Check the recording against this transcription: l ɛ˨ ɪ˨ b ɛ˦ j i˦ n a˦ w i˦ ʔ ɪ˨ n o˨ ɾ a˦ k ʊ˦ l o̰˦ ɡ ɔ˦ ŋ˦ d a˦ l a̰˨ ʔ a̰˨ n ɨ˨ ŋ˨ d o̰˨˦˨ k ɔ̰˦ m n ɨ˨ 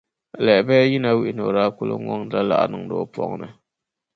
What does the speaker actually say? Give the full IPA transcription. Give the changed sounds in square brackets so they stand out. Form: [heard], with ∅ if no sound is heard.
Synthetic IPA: l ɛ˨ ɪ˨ b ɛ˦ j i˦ n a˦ w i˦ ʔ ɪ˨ n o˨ ɾ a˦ k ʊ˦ l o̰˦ [ŋ] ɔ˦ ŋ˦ d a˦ l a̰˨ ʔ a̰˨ n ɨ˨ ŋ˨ d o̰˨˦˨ [p] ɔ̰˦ [ŋ] n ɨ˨